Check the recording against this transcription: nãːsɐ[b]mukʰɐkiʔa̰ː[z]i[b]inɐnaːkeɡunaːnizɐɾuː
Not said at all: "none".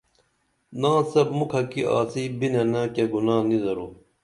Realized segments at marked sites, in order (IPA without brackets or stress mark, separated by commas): b, s, b